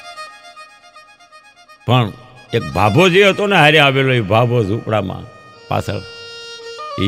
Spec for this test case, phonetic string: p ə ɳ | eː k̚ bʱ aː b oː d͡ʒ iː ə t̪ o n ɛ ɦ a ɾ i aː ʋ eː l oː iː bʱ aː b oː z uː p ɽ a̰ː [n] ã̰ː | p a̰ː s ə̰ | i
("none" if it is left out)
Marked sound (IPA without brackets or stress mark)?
m